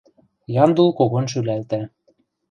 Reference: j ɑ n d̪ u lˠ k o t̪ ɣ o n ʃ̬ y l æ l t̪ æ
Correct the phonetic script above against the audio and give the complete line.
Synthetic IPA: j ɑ n d̪ u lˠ k o ɣ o n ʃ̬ y l æ l t̪ æ